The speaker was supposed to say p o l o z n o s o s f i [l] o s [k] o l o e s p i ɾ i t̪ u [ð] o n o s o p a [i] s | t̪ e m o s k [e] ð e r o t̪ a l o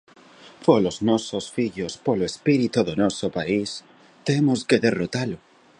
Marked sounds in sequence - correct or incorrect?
incorrect: ʎ, incorrect: p, correct, correct, correct

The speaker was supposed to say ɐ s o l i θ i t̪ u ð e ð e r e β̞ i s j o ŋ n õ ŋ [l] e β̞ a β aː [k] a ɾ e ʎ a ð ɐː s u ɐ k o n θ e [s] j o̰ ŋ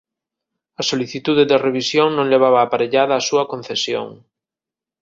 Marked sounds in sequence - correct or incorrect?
correct, incorrect: p, correct

